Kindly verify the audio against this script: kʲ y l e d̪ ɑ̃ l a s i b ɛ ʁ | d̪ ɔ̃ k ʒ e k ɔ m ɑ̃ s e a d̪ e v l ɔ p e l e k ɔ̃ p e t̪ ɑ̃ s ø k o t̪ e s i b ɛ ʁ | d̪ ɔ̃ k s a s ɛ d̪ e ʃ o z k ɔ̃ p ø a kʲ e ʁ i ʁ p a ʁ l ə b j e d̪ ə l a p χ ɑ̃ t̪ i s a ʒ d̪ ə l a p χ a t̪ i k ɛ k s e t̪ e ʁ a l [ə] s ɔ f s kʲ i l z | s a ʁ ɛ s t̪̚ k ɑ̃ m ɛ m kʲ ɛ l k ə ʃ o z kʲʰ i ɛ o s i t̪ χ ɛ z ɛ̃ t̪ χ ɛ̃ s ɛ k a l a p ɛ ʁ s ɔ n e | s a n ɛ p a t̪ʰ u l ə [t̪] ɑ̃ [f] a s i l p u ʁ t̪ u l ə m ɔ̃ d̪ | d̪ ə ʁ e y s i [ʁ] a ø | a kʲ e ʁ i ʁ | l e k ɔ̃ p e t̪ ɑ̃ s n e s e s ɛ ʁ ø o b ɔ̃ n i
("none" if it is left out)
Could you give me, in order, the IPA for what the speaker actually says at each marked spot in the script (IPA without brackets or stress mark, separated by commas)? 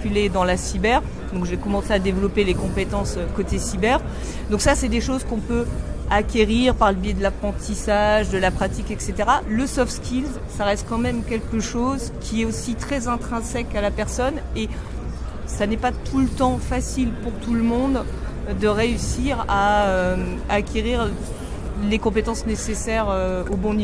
ə, t̪, f, ʁ